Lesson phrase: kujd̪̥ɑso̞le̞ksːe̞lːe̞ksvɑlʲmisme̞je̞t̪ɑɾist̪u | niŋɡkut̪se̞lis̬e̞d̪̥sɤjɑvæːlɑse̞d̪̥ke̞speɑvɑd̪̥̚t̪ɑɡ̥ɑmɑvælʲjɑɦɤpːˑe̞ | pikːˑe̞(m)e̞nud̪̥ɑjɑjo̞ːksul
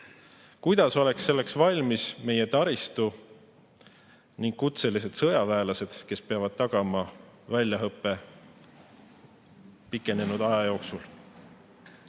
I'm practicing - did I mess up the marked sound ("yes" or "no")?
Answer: yes